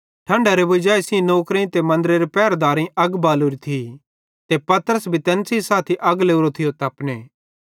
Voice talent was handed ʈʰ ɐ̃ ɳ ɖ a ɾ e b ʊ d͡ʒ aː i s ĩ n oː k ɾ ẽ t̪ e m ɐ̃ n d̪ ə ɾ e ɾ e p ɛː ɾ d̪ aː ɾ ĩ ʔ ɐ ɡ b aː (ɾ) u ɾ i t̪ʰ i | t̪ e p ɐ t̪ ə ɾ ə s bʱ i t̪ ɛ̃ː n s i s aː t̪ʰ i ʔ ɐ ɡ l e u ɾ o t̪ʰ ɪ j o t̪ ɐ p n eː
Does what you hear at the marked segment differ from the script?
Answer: yes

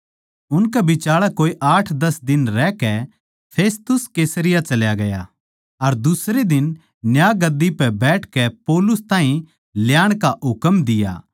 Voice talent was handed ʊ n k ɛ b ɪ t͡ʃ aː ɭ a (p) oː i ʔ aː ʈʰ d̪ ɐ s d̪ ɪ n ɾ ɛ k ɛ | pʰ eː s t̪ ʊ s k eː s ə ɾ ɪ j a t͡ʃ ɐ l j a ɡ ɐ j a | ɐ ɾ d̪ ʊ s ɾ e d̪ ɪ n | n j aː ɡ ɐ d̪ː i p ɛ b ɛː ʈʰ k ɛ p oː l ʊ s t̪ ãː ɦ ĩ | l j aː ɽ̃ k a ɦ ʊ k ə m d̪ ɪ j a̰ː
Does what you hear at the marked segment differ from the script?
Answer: yes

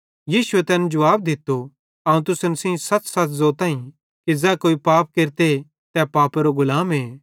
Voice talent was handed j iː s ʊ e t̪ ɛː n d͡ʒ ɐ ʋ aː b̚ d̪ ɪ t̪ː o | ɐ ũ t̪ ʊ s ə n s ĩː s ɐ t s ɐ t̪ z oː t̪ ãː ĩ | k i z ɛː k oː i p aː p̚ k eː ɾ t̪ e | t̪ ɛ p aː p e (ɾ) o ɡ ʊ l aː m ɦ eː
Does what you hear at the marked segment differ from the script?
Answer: no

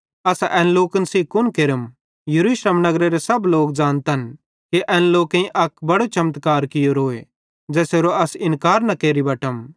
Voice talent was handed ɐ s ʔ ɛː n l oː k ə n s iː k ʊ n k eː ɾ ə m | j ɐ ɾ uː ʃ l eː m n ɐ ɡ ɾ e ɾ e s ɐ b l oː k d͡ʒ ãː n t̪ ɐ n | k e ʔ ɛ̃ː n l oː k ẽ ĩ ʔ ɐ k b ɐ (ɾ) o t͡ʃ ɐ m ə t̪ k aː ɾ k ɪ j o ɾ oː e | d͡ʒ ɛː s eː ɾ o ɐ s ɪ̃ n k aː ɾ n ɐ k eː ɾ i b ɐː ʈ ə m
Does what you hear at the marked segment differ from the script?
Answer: yes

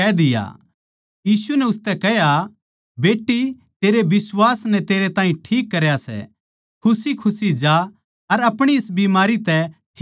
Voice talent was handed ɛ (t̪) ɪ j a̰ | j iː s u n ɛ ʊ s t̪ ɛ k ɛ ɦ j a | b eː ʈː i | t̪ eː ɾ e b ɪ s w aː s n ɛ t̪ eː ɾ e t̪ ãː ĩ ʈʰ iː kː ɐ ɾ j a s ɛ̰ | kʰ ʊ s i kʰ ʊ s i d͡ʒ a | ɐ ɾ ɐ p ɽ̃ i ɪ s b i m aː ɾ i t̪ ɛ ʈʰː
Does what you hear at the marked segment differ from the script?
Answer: yes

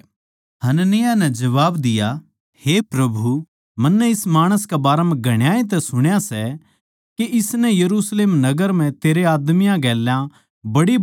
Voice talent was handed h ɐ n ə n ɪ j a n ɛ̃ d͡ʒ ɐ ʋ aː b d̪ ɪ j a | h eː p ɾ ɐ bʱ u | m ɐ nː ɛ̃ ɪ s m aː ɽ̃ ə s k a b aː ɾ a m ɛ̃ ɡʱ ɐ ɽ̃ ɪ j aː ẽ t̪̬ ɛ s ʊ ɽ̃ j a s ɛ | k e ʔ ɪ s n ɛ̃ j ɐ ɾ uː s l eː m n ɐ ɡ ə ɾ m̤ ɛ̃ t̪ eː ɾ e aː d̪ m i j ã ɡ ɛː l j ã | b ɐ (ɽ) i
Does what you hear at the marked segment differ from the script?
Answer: no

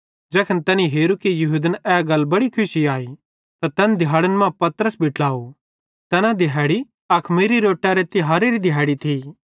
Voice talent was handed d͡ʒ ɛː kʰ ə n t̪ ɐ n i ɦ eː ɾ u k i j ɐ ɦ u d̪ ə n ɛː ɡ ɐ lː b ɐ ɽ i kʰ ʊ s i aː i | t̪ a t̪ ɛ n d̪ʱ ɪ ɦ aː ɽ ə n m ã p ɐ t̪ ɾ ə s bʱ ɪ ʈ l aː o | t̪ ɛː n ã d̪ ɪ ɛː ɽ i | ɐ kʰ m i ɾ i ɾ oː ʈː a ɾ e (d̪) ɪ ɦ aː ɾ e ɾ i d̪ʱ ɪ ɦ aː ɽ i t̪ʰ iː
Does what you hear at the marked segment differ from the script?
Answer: yes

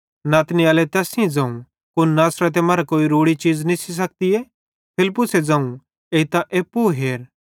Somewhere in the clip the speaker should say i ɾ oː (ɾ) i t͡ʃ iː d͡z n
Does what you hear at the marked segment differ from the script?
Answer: yes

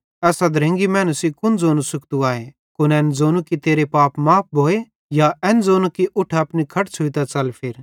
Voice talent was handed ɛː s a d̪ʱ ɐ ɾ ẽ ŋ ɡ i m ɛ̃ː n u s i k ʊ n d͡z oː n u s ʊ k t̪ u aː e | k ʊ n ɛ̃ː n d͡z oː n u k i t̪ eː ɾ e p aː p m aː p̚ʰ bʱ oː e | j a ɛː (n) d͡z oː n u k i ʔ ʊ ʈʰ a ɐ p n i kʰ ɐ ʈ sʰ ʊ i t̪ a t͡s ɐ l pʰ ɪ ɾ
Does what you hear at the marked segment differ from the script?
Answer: no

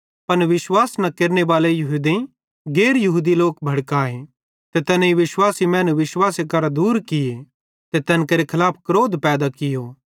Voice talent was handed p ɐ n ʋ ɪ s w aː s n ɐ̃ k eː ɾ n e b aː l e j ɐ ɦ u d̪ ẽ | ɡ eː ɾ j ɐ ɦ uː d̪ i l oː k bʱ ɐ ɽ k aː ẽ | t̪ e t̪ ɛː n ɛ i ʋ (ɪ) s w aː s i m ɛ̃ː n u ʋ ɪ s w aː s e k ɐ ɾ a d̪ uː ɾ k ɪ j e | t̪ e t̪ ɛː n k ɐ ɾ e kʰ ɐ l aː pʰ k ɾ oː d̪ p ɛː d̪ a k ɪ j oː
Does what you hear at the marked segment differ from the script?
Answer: no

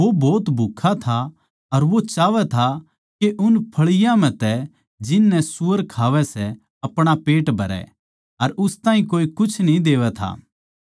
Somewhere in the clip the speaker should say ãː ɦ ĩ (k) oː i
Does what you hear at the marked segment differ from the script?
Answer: no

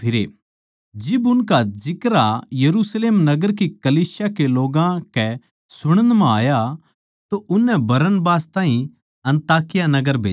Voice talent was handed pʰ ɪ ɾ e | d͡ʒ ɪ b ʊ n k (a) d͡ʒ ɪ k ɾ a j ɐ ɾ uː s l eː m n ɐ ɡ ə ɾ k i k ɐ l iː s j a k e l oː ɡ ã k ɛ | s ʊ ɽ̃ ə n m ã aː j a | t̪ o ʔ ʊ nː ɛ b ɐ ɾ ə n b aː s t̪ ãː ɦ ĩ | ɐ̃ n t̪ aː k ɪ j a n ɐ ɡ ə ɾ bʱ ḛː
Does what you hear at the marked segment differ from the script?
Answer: no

